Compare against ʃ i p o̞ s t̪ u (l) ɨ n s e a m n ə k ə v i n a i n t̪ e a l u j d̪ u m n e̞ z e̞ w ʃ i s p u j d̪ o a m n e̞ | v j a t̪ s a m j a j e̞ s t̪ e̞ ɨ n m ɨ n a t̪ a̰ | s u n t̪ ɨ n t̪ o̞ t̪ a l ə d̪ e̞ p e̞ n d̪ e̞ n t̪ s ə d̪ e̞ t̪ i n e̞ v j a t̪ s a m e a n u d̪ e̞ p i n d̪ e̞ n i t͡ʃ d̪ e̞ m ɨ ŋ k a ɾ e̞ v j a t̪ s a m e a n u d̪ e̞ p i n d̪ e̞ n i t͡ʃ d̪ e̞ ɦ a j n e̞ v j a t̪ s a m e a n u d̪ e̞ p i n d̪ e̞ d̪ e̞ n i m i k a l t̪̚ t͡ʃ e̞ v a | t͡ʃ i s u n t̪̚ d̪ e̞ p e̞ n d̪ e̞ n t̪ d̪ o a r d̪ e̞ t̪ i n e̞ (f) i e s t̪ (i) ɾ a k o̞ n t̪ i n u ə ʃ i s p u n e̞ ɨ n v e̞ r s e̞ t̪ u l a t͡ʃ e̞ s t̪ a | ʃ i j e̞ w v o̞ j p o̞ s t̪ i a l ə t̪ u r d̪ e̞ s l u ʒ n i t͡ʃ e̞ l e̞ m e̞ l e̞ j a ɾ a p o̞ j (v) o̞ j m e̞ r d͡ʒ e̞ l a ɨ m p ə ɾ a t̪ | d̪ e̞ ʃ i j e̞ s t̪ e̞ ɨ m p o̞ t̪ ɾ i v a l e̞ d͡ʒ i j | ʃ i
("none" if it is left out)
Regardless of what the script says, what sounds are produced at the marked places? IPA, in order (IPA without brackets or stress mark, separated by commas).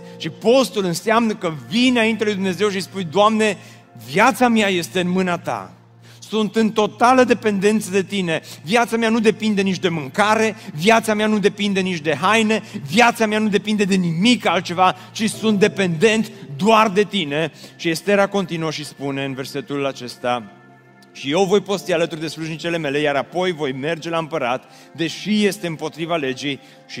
l, ʃ, e, v